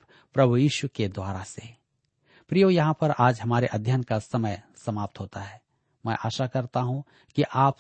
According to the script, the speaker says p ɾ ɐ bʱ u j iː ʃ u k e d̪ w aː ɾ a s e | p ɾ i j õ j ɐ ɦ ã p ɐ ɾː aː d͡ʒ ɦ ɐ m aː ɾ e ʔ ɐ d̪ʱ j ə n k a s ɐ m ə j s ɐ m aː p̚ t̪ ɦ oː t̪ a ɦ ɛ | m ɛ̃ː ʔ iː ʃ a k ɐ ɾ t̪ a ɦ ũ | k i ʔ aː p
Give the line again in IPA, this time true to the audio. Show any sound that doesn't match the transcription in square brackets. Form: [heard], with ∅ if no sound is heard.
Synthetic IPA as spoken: p ɾ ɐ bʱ u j iː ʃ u k e d̪ w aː ɾ a s e | p ɾ i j [o] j ɐ ɦ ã p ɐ [ɾ] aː d͡ʒ ɦ ɐ m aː ɾ e ʔ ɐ d̪ʱ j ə n k a s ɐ m ə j s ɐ m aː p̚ t̪ ɦ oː t̪ a ɦ [ɛː] | m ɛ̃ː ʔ [aː] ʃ a k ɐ ɾ t̪ a ɦ ũ | k i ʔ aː p